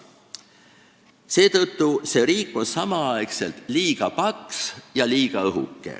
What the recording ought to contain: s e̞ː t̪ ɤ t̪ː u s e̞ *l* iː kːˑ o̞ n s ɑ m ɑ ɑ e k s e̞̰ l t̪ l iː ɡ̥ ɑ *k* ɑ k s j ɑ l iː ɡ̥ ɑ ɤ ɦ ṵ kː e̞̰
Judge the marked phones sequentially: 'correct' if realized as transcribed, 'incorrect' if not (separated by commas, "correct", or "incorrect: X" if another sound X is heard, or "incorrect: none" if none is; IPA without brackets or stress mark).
incorrect: ɾ, incorrect: p